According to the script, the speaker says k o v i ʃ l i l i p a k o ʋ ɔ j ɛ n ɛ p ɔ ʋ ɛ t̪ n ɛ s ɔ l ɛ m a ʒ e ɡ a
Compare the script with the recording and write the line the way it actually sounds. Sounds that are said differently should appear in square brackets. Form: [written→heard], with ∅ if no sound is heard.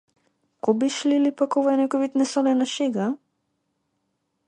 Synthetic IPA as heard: k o [v→b] i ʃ l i l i p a k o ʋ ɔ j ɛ n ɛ [p→k] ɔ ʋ [ɛ→i] t̪ n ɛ s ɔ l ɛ [m→n] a [ʒ→ʃ] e ɡ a